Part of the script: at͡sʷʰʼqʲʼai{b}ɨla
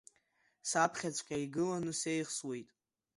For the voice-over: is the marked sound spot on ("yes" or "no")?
no